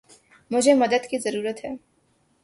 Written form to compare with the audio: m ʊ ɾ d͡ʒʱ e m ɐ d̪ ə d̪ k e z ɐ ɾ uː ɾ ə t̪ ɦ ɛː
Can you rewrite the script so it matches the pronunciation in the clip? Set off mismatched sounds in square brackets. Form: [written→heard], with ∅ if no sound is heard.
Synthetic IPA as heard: m ʊ [ɾ→∅] d͡ʒʱ e m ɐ d̪ ə d̪ k [e→i] z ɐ ɾ uː ɾ ə t̪ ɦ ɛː